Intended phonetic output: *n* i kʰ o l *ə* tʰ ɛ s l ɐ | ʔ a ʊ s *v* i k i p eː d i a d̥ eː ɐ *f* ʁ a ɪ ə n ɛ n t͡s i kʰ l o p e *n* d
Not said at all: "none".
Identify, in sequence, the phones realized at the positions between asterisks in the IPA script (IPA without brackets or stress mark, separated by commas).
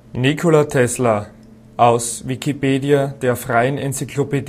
n, a, v, f, none